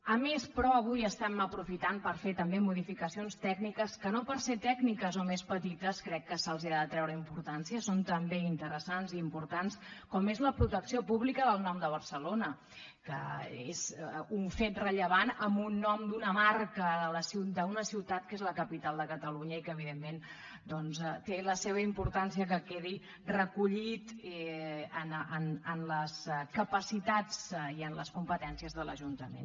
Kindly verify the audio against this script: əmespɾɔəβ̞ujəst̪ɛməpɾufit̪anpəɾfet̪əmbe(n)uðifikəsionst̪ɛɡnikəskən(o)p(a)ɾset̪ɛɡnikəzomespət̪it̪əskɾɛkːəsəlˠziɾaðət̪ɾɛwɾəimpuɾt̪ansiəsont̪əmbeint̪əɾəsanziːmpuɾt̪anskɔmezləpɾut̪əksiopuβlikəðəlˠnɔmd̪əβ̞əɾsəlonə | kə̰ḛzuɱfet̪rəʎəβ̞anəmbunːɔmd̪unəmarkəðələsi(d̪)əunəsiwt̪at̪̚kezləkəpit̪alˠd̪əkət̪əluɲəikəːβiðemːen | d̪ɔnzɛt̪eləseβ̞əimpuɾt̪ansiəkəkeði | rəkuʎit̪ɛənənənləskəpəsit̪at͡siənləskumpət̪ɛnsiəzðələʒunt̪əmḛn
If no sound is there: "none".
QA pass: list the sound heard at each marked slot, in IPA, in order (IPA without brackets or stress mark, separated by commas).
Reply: m, o, ə, d̪